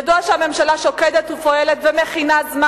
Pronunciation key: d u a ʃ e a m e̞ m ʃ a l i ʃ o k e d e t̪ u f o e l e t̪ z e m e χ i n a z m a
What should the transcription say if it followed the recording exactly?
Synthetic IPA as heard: d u a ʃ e a m e̞ m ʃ a l a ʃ o k e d e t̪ u f o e l e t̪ v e m e χ i n a z m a